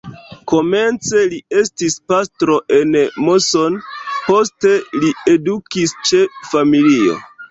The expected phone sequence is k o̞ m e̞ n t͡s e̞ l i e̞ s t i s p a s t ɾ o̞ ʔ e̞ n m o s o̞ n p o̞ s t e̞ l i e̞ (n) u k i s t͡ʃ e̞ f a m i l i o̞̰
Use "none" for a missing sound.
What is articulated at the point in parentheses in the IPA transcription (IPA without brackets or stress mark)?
d